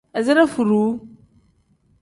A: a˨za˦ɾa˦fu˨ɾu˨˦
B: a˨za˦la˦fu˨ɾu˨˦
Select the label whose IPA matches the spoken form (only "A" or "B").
A